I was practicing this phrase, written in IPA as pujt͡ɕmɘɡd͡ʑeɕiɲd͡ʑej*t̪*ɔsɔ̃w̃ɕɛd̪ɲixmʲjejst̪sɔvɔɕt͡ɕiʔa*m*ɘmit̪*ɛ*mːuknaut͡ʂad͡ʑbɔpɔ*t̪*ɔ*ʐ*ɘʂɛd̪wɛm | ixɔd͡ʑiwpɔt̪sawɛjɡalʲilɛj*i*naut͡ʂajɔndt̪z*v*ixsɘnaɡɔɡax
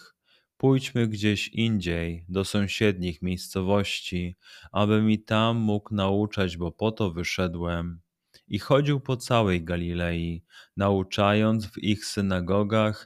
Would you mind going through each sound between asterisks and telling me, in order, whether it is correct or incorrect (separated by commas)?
incorrect, incorrect, incorrect, correct, incorrect, correct, correct